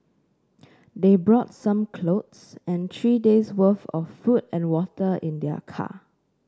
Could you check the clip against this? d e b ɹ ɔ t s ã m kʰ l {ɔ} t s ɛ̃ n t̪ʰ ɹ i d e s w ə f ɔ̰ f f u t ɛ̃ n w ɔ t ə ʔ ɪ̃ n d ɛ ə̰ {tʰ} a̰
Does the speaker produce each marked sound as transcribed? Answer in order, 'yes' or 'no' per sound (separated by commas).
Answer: no, no